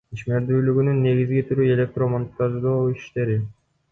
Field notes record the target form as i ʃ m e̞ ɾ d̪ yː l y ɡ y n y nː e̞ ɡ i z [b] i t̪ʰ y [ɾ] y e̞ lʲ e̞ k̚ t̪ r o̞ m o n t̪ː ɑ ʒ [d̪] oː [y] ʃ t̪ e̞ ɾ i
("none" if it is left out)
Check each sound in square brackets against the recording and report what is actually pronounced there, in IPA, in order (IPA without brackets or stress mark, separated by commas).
ɡ, ɾ, d̪, i